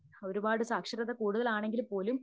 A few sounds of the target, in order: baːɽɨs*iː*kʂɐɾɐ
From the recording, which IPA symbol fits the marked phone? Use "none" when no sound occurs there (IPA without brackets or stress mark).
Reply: aː